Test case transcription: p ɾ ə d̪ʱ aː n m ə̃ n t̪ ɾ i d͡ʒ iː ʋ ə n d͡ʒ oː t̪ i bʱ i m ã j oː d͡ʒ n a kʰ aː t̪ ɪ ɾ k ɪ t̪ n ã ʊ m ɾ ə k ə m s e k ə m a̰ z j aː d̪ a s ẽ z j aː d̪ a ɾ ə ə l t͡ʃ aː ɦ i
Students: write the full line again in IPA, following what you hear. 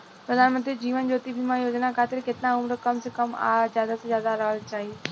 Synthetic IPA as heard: p ɾ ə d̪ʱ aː n m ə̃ n t̪ ɾ i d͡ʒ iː ʋ ə n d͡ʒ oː t̪ i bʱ i m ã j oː d͡ʒ n a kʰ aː t̪ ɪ ɾ k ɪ t̪ n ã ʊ m ɾ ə k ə m s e k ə m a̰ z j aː d̪ a s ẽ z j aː d̪ a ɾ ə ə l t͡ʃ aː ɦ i